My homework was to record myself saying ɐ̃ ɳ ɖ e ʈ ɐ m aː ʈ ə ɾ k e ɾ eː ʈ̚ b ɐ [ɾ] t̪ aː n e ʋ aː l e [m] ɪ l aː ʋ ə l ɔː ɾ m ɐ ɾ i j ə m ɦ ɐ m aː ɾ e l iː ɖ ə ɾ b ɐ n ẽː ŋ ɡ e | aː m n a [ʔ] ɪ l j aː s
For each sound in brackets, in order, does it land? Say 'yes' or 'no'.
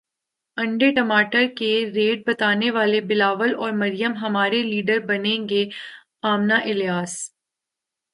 no, no, yes

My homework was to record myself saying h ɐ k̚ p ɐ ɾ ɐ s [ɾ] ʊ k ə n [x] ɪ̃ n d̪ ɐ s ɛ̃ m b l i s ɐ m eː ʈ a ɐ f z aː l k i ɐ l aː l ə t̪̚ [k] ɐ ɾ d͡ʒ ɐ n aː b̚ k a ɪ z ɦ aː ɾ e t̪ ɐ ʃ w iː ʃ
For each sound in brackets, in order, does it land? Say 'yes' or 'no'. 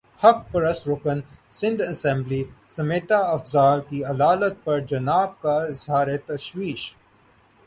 yes, no, no

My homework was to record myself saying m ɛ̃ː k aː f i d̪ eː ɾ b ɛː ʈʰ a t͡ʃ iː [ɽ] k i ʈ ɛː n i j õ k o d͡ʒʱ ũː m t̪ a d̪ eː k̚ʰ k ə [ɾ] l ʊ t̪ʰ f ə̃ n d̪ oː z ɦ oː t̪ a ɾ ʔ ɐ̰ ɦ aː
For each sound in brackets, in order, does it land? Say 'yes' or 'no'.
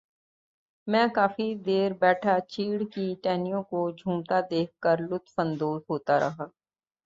yes, yes

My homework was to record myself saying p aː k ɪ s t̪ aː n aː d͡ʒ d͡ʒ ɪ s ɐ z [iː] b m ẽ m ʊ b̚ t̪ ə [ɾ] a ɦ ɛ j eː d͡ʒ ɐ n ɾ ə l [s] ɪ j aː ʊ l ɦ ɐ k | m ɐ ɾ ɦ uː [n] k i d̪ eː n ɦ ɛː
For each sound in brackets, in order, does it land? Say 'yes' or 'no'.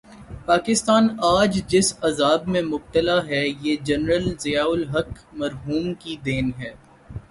no, no, no, no

